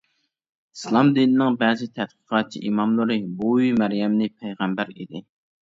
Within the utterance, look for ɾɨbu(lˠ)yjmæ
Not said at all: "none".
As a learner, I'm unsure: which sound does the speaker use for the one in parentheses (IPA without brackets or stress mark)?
none